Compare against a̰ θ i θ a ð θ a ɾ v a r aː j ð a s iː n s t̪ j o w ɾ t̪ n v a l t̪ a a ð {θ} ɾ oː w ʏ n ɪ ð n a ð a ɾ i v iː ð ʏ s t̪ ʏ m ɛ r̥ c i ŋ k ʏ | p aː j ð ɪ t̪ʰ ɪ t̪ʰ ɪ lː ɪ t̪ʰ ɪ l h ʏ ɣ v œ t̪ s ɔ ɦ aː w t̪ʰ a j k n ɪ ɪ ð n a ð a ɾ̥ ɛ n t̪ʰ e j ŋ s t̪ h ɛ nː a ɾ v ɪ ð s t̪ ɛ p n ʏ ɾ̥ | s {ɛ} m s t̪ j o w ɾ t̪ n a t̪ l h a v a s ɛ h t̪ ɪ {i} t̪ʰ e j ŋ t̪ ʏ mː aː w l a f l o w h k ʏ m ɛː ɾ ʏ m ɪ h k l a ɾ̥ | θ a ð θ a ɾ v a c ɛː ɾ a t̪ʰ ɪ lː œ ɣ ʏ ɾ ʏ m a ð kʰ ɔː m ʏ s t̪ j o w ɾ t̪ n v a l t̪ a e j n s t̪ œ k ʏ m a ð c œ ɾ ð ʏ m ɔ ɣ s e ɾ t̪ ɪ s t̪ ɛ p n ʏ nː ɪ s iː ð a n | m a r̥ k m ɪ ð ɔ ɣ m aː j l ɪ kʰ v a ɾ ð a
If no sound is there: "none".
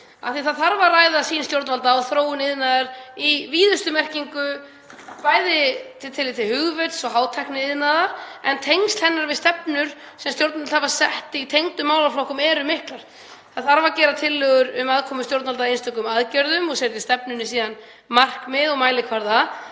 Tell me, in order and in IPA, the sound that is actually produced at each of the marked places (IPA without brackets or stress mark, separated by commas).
θ, ɛ, i